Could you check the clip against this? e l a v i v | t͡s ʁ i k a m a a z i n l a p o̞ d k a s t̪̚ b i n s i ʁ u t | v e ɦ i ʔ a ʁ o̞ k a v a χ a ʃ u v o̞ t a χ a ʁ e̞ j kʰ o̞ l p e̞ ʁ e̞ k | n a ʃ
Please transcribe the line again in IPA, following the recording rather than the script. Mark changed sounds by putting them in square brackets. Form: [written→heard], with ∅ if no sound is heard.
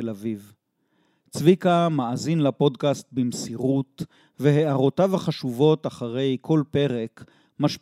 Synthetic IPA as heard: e l a v i v | t͡s [ʁ→v] i k a m a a z i n l a p o̞ d k a s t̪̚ b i [n→m] s i ʁ u t | v e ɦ [i→e] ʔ a ʁ o̞ [k→t] a v a χ a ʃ u v o̞ t a χ a ʁ e̞ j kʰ o̞ l p e̞ ʁ e̞ k | [n→m] a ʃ